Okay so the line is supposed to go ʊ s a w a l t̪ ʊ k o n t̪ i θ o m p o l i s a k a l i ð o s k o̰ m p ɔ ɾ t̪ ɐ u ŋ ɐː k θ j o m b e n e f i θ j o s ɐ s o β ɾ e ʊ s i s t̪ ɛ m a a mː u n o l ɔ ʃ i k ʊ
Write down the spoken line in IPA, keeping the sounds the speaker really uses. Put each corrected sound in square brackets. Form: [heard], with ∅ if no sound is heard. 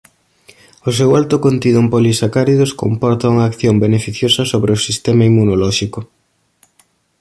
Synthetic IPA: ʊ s [e] w a l t̪ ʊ k o n t̪ i [ð] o m p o l i s a k a [ɾ] i ð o s k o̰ m p ɔ ɾ t̪ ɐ u ŋ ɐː k θ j o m b e n e f i θ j o s ɐ s o β ɾ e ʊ s i s t̪ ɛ m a [i] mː u n o l ɔ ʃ i k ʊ